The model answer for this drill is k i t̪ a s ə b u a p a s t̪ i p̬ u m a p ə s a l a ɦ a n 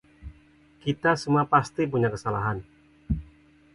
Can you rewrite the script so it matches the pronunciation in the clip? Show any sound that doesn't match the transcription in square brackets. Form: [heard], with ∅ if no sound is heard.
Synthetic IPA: k i t̪ a s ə [m] u a p a s t̪ i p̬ u [ɲ] a [k] ə s a l a ɦ a n